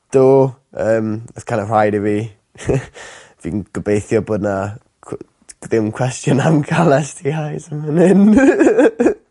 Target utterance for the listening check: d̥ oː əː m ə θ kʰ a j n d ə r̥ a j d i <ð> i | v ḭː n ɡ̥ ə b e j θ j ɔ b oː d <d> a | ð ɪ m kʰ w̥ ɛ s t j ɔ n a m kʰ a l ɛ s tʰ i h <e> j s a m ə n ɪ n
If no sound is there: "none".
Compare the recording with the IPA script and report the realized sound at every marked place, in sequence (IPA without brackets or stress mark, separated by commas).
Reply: v, n, a